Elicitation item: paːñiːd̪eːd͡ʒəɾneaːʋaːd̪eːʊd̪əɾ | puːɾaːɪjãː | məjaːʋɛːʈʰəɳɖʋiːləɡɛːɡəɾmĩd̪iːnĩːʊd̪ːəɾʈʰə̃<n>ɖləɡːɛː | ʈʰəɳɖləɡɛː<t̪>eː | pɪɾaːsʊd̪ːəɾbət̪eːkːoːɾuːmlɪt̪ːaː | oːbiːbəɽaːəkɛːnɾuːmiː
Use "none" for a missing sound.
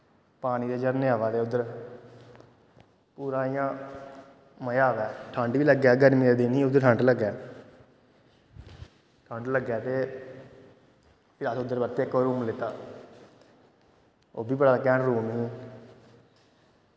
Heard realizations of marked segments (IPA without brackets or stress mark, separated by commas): ɳ, t̪